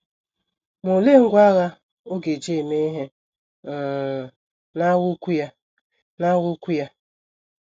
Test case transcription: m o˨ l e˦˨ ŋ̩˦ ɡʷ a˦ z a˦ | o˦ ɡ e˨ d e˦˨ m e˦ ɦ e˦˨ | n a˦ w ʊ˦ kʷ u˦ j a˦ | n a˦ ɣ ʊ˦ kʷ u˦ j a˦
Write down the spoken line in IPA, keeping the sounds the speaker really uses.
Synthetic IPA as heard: m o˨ l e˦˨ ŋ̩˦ ɡʷ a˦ ɣ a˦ | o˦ ɡ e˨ d͡ʒ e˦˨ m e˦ ɦ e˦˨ | n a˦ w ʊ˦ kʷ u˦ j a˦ | n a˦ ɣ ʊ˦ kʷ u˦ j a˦